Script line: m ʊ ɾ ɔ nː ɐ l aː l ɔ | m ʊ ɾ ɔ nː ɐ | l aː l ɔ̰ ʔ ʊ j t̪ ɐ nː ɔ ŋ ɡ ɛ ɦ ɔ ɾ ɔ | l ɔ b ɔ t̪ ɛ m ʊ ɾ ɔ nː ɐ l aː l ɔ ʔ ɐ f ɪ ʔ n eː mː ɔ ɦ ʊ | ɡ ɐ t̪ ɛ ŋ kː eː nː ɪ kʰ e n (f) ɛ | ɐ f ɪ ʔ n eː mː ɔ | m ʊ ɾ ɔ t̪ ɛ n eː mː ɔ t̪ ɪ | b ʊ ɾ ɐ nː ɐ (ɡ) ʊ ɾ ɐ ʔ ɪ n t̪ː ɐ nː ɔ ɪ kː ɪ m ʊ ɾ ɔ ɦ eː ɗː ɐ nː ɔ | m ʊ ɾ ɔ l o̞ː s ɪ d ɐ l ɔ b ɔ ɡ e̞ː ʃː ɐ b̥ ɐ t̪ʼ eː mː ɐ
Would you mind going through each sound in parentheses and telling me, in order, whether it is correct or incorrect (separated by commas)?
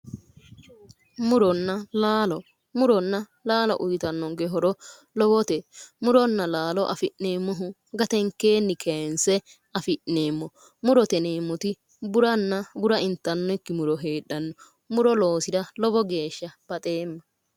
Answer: incorrect, incorrect